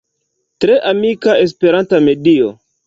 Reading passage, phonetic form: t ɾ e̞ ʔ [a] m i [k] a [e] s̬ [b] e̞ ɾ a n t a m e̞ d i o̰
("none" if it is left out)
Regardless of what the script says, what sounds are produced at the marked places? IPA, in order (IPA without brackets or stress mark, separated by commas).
a, k, e, p